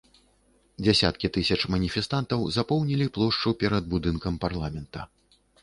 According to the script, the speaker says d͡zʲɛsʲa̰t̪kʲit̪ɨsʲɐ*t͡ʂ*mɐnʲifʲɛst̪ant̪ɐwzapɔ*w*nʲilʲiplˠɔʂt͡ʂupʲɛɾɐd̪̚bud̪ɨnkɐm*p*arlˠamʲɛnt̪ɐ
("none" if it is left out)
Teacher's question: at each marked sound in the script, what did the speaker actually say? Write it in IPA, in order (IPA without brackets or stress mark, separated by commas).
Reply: t͡ʂ, w, p